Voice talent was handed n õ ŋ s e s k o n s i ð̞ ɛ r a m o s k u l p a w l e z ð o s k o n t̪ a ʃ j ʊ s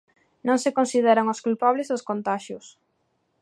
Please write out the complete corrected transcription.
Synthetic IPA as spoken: n õ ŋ s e k o n s i ð̞ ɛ ɾ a ŋ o s k u l p a β l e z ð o s k o n t̪ a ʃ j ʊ s